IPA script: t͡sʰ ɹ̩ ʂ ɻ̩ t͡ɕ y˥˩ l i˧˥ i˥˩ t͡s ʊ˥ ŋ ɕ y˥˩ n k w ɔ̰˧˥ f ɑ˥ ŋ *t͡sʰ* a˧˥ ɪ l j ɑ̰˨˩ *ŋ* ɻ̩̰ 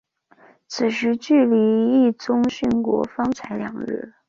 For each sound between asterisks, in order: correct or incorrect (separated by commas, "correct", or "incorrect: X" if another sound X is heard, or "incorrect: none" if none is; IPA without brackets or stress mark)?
correct, correct